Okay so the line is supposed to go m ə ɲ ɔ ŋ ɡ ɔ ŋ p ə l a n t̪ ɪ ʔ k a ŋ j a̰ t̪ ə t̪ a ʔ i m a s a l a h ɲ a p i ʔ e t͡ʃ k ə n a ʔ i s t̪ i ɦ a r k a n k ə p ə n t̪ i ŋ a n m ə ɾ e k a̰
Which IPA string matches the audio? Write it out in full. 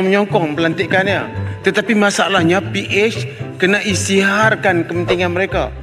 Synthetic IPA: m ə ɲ ɔ ŋ k ɔ ŋ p ə l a n t̪ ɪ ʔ k a n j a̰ t̪ ə t̪ a p i m a s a l a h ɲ a p i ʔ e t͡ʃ k ə n a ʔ i s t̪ i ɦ a r k a n k ə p ə n t̪ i ŋ a n m ə ɾ e k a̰